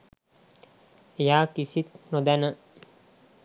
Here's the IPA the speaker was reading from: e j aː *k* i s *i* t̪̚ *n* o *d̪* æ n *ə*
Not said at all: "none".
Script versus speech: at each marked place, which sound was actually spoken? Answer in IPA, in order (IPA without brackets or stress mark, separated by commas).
k, i, n, d̪, ə